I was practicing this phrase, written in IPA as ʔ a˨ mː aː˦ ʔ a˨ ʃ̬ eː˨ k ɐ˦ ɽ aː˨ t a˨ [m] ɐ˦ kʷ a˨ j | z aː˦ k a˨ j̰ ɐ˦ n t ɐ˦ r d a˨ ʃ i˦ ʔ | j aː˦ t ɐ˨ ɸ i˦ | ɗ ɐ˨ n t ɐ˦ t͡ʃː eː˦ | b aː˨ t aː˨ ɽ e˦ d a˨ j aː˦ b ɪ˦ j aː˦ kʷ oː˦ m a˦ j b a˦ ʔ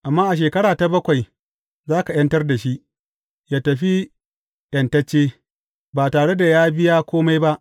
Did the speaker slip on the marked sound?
yes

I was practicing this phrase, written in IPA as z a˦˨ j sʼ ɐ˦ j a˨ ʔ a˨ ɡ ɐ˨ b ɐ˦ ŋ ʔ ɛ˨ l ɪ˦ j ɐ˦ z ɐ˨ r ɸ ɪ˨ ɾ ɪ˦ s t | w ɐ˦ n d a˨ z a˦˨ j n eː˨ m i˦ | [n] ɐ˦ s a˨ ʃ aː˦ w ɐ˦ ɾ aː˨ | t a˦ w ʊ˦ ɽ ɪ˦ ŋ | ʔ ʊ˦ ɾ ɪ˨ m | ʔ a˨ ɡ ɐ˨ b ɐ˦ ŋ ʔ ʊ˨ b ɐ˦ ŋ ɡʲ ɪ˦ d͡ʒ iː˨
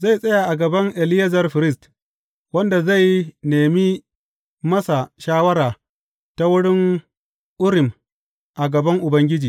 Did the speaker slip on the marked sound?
yes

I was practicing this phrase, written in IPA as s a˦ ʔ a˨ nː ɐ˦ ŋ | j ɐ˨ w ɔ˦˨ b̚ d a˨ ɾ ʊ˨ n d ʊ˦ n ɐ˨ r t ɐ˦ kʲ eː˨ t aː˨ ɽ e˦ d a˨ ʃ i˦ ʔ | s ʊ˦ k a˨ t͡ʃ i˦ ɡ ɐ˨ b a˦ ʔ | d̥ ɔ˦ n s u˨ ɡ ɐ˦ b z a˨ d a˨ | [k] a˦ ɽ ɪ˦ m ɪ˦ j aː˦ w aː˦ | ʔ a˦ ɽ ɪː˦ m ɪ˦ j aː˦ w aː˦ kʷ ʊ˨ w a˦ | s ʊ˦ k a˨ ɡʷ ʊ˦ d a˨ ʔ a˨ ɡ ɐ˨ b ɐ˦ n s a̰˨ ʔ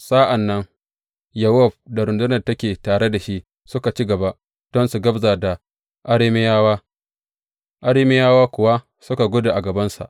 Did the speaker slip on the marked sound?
yes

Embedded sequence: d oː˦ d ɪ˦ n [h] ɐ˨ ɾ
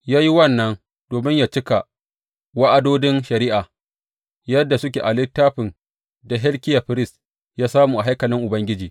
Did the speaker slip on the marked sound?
yes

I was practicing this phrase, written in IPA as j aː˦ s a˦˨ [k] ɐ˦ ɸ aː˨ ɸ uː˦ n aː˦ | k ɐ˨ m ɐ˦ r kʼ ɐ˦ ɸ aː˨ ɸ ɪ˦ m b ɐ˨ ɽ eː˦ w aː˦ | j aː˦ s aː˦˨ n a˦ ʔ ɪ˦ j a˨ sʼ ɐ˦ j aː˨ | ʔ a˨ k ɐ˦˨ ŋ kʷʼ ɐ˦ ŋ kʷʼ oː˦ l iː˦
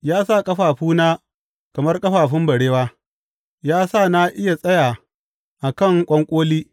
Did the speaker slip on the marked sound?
yes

